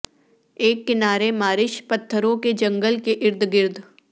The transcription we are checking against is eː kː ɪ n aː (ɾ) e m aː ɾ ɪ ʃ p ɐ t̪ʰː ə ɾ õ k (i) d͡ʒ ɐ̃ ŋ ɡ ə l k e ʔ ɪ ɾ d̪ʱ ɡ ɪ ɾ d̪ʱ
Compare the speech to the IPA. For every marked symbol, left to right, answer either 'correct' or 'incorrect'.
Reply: correct, incorrect

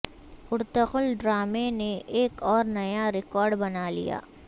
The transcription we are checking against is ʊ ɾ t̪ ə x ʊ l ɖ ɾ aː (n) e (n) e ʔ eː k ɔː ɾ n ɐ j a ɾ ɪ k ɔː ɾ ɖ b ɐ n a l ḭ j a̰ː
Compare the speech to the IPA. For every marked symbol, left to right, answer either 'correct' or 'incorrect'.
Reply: incorrect, correct

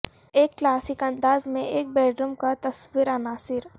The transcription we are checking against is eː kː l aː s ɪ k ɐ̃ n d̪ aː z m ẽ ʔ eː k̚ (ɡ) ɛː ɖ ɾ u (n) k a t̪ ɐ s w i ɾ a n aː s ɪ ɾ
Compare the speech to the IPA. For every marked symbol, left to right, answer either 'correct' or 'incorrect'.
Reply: incorrect, incorrect

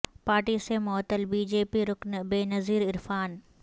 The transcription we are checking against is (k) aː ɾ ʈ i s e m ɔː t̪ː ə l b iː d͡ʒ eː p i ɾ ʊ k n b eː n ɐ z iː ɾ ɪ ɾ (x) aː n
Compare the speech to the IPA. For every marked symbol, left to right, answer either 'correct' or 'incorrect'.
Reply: incorrect, incorrect

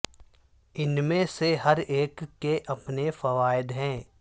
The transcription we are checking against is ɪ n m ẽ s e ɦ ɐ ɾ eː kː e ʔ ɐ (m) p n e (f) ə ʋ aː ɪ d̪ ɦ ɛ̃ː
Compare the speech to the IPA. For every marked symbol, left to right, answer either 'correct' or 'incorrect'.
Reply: incorrect, correct

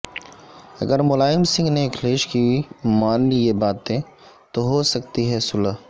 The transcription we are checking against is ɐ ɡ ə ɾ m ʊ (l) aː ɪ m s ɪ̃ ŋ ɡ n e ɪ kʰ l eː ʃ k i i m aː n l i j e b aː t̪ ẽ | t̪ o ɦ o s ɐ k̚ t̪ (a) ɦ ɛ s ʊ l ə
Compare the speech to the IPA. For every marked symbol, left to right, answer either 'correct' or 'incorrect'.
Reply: correct, incorrect

